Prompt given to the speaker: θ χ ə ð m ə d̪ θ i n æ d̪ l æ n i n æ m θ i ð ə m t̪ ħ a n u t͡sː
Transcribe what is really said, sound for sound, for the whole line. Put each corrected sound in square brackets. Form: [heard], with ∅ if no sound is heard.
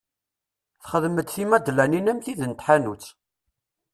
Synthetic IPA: θ χ ə ð m ə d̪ θ i [m] æ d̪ l æ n i n æ m θ i ð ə [n] t̪ ħ a n u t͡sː